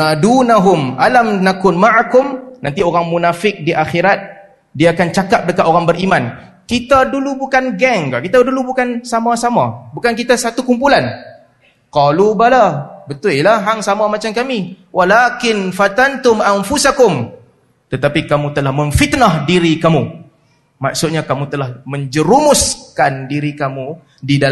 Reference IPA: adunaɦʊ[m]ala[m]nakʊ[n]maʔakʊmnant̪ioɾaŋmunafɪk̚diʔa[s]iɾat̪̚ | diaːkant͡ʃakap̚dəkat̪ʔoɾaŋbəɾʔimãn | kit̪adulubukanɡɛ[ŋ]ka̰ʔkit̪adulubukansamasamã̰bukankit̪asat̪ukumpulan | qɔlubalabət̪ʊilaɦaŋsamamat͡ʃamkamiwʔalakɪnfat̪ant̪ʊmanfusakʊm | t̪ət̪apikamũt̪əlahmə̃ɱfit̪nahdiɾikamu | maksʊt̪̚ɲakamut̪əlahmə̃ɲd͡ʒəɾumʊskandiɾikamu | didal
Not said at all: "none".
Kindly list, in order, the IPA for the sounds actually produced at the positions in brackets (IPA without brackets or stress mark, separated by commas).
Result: m, m, n, x, ŋ